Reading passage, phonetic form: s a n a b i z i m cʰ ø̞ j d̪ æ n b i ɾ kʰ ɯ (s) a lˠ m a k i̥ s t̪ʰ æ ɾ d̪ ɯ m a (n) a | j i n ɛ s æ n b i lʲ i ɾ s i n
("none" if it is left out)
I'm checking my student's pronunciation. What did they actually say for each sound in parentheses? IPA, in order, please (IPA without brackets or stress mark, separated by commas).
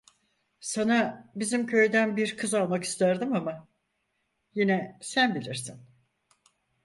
z, m